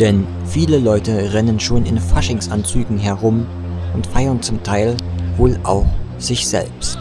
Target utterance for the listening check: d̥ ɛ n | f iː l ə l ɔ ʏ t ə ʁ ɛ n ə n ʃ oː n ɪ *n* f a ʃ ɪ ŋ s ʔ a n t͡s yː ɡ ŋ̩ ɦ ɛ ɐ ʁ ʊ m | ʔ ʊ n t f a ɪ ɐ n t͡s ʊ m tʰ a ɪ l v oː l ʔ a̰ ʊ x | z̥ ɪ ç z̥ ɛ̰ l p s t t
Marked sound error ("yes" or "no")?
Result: no